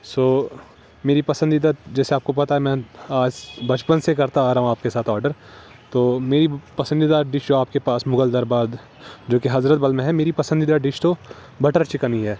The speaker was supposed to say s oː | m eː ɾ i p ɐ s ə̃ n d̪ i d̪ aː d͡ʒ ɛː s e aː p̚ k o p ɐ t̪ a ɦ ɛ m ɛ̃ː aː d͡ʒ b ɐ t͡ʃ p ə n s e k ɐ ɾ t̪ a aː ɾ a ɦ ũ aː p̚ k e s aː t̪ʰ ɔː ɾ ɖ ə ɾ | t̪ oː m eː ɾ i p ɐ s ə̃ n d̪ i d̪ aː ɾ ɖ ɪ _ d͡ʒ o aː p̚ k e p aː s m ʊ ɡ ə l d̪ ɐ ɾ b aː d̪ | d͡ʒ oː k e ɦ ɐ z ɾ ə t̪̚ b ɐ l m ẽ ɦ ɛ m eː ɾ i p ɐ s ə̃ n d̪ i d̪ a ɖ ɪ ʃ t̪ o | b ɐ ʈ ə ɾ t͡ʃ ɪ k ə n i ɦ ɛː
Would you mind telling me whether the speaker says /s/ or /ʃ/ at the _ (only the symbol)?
ʃ